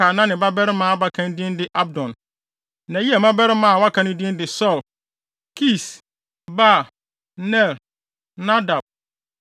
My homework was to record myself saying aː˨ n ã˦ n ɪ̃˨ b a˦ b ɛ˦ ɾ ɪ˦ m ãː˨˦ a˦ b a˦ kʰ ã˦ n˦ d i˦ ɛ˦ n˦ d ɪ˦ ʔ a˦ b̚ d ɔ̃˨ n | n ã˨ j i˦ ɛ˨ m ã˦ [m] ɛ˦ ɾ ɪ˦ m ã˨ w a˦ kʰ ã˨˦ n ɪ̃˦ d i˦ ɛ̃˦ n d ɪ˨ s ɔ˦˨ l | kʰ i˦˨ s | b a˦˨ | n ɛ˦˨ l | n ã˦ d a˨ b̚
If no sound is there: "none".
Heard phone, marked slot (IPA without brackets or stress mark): b